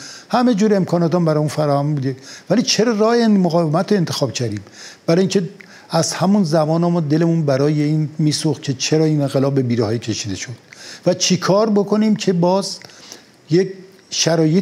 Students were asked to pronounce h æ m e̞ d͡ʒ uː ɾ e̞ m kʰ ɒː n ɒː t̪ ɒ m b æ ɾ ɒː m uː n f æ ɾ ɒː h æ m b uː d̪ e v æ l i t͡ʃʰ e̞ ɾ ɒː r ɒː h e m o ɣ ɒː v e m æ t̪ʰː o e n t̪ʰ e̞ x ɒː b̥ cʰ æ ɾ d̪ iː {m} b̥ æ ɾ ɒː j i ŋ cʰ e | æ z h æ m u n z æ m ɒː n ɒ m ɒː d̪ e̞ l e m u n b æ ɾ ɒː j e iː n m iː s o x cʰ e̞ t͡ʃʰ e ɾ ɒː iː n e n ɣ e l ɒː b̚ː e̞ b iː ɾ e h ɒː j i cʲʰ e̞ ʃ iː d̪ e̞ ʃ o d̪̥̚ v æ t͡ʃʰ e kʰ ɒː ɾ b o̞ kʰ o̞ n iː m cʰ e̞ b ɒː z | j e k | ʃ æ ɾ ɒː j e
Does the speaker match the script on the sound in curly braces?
yes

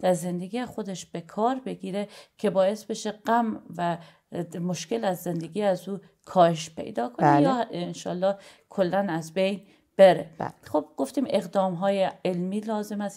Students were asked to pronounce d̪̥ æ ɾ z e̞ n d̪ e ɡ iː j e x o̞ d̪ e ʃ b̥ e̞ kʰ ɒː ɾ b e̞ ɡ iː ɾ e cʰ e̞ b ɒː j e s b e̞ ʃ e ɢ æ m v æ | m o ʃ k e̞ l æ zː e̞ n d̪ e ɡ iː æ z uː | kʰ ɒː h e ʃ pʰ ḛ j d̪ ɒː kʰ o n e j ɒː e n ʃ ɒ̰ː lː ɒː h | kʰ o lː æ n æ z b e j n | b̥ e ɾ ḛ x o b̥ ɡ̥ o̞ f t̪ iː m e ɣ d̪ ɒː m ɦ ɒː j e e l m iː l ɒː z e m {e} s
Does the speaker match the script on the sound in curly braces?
no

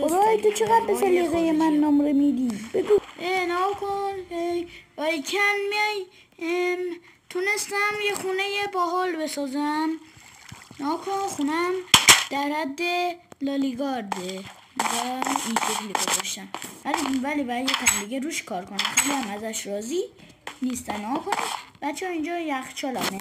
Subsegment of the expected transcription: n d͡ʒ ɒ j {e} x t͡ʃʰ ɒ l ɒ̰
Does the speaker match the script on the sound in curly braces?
no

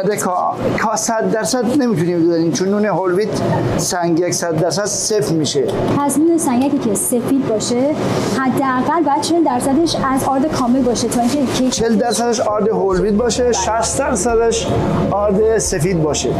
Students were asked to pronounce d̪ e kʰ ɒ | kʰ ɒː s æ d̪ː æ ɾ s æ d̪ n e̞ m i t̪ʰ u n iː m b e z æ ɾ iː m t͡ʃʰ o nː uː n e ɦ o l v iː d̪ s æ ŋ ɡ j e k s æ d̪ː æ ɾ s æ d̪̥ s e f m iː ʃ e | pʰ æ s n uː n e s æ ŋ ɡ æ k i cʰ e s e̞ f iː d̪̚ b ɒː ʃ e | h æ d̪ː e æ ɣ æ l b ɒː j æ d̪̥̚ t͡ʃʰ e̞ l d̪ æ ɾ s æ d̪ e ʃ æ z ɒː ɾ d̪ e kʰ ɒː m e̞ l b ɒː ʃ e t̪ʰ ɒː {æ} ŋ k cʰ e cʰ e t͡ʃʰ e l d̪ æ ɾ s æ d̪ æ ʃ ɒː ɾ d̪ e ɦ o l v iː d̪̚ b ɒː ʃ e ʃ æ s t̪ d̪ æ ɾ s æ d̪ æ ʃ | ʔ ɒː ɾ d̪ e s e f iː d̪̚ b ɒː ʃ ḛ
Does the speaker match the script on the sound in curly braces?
no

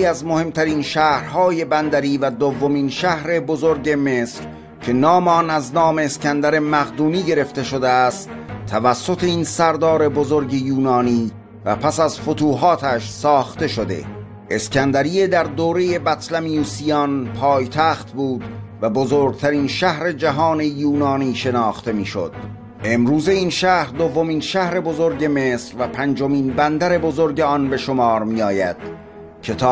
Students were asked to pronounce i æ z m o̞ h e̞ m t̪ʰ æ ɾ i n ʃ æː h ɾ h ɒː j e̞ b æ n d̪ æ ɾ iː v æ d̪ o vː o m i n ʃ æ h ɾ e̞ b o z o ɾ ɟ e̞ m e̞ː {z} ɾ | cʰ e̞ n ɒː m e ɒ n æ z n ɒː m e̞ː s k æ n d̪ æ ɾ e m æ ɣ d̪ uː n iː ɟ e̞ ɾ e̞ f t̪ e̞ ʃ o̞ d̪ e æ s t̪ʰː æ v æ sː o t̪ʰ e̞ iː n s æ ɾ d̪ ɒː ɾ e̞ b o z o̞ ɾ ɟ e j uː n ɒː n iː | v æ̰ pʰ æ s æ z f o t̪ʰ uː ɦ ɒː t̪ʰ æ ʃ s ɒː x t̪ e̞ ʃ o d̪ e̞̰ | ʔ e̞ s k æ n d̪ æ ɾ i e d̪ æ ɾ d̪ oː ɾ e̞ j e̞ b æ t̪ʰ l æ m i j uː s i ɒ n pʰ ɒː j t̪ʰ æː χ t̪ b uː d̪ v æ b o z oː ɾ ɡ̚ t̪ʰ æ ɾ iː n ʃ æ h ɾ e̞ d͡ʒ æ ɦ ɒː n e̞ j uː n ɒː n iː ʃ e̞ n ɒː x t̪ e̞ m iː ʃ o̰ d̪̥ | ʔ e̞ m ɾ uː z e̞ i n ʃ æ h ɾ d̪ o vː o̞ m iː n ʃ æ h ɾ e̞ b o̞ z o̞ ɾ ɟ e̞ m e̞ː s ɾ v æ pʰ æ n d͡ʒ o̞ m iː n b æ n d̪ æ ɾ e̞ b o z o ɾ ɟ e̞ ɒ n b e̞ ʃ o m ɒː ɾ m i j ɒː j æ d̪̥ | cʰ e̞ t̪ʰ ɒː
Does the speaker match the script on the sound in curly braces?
no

